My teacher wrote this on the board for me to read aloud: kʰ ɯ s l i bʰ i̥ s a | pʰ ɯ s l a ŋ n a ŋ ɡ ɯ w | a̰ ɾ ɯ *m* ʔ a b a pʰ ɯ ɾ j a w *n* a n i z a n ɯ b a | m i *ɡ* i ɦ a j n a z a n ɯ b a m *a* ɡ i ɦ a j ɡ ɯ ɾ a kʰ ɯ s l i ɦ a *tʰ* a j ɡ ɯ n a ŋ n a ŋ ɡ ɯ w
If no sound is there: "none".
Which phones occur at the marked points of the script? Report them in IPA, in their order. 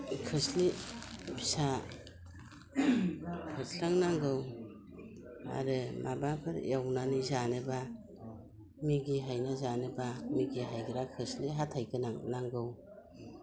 m, n, ɡ, i, tʰ

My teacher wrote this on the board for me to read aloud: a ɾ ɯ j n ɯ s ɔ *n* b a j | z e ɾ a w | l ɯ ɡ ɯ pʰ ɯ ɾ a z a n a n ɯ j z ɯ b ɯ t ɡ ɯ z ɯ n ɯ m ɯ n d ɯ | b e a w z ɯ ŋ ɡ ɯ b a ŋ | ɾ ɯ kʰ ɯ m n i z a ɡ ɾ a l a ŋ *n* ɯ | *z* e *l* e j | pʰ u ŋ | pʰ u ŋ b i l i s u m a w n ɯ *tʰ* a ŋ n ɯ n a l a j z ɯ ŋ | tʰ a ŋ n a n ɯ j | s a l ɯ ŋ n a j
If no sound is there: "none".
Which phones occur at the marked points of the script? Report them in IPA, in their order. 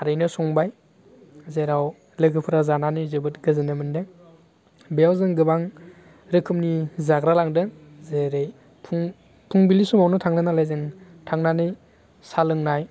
ŋ, d, z, ɾ, tʰ

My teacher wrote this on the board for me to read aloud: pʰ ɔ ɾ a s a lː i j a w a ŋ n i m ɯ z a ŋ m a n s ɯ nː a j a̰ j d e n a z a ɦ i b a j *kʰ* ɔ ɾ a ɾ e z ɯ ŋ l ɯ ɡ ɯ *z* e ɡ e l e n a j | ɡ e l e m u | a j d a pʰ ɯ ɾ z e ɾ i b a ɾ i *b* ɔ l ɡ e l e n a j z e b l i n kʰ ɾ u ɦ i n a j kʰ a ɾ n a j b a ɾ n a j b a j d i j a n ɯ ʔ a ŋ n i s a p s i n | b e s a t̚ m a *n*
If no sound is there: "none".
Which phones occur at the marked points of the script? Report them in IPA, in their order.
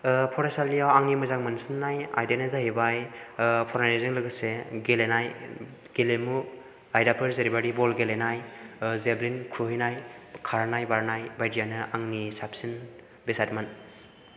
pʰ, s, b, n

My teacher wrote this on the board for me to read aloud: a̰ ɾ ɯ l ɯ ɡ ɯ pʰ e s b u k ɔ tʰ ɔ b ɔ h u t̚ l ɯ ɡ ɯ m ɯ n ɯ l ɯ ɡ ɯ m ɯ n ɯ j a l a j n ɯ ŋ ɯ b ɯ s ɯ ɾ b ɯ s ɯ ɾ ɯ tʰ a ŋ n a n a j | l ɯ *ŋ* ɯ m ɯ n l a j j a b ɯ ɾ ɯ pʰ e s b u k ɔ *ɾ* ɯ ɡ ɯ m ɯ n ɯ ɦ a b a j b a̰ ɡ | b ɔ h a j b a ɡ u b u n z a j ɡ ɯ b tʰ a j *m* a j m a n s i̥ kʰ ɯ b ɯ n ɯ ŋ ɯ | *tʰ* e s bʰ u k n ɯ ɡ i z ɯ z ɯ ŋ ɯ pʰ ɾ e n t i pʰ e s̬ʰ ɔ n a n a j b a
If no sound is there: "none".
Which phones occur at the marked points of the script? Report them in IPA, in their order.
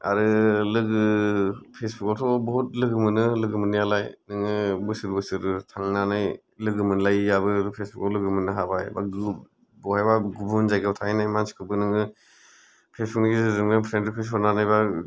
ɡ, l, n, pʰ

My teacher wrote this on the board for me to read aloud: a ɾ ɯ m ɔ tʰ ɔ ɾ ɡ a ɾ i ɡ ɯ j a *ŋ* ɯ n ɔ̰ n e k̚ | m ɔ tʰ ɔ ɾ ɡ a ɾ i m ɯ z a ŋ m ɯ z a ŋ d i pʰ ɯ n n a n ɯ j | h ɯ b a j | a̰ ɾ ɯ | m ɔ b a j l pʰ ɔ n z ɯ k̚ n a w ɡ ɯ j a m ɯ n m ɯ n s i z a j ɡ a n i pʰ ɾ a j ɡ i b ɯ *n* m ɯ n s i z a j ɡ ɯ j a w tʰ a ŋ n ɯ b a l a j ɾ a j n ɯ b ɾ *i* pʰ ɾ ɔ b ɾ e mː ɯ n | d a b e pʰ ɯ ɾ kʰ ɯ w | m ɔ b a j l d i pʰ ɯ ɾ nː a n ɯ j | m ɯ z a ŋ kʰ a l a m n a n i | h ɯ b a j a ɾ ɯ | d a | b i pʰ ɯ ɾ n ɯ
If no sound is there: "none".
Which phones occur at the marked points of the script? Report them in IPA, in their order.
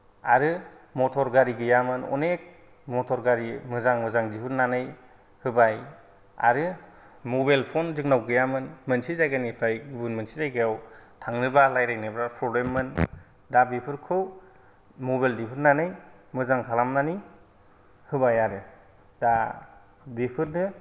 m, n, a

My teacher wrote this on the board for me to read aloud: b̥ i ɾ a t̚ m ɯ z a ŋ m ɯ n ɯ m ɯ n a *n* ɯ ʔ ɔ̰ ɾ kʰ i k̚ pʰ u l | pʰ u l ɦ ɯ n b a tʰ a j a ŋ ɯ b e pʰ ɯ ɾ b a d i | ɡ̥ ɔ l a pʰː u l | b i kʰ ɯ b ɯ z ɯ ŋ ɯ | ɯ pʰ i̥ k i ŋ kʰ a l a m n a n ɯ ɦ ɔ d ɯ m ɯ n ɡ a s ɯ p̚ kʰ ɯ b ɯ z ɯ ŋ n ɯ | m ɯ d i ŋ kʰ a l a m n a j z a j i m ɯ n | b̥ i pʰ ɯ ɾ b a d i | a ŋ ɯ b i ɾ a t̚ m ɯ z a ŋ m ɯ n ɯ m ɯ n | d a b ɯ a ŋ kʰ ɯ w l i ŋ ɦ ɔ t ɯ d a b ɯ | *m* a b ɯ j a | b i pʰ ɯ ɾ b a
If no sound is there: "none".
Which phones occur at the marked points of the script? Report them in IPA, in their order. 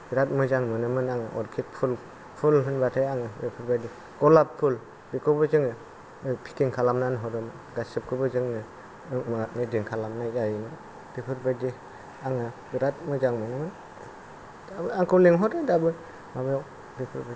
ŋ, m

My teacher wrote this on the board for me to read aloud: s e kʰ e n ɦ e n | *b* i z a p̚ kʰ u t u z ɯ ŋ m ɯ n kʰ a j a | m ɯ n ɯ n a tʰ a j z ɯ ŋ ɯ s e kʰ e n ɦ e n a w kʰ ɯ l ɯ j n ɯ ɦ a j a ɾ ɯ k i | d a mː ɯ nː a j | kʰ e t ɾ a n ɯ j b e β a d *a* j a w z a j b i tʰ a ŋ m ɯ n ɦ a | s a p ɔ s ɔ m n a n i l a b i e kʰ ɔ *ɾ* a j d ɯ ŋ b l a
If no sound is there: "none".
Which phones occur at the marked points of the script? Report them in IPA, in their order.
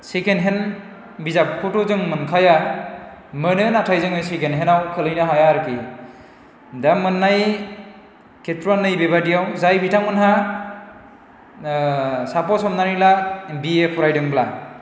b, i, ɾ

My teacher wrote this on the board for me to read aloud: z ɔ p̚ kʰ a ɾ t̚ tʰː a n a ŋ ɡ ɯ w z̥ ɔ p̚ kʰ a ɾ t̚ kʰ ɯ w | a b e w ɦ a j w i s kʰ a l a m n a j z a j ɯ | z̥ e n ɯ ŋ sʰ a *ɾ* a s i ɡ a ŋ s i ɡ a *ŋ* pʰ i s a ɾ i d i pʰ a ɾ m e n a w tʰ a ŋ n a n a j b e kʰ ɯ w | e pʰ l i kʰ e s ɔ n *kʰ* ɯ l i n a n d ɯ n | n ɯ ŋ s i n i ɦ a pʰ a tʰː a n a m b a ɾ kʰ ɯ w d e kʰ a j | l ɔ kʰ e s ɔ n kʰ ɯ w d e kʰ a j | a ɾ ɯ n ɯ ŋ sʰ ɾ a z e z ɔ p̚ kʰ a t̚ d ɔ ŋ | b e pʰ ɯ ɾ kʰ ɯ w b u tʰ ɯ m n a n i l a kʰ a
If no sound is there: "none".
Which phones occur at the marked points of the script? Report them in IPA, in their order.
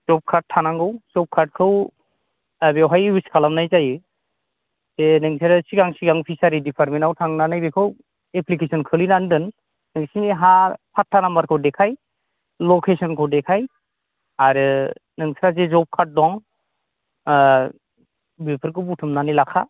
ɾ, ŋ, kʰ

